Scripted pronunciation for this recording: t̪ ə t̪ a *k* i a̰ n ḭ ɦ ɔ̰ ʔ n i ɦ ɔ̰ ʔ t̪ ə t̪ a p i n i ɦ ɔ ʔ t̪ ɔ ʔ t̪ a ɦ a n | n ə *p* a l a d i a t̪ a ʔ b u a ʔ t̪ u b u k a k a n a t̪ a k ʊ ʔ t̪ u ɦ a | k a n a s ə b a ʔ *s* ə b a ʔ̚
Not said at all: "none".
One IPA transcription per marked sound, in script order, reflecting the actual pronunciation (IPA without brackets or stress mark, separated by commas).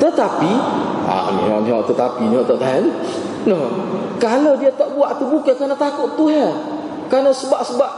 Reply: p, k, s